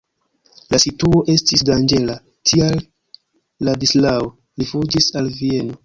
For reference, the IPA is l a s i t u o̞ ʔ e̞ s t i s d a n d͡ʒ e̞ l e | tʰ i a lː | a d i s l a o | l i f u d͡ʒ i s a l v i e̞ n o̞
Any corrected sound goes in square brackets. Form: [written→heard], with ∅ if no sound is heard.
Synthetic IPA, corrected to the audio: l a s i t u o̞ ʔ e̞ s t i s d a n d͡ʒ e̞ l [e→a] | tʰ i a lː | a d i s l a o | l i f u d͡ʒ i s a l v i e̞ n o̞